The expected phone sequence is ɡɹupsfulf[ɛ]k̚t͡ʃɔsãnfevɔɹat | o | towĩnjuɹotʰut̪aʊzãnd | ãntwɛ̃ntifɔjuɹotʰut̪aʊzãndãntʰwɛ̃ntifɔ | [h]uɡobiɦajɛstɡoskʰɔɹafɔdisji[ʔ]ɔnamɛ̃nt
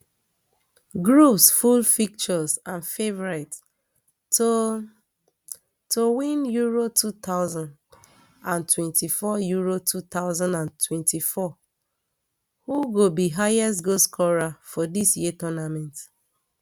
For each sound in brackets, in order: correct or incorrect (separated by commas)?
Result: incorrect, correct, incorrect